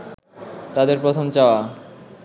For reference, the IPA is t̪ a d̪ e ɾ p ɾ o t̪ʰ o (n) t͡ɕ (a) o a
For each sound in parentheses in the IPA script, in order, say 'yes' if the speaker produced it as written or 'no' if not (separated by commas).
no, yes